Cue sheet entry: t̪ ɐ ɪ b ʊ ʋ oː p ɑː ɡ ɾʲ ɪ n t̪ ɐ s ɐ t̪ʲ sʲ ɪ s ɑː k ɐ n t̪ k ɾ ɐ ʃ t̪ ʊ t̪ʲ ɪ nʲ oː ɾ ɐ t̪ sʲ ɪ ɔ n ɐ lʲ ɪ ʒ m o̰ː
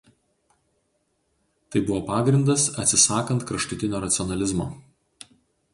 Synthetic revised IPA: t̪ ɐ ɪ b ʊ ʋ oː p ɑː ɡ ɾʲ ɪ n d̪ ɐ s ɐ t̪ʲ sʲ ɪ s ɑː k ɐ n t̪ k ɾ ɐ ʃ t̪ ʊ t̪ʲ ɪ nʲ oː ɾ ɐ t̪ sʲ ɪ ɔ n ɐ lʲ ɪ z m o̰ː